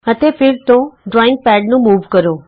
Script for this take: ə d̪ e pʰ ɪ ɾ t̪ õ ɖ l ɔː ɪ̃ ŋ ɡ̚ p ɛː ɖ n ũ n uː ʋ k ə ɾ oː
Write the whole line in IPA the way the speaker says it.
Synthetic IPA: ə t̪ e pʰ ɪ ɾ t̪ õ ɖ ɾ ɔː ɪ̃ ŋ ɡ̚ p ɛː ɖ n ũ m uː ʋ k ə ɾ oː